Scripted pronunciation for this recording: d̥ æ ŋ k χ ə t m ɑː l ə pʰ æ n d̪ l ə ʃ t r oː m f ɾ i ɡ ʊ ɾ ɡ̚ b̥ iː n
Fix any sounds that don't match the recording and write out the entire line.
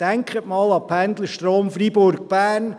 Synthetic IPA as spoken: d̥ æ ŋ k χ ə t m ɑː l ɑ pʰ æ n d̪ l ə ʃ t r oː m f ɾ i b ʊ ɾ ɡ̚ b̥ æː n